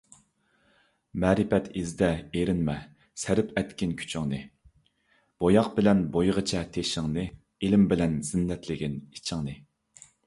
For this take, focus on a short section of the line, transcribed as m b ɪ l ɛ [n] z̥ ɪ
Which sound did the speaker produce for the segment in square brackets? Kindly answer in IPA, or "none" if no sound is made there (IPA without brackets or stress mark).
n